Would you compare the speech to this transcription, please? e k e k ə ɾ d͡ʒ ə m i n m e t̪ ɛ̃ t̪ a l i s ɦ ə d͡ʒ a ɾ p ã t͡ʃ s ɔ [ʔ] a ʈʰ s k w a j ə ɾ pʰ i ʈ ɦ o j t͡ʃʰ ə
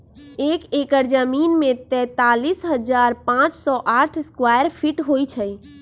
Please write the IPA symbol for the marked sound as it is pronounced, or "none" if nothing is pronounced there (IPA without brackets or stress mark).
ʔ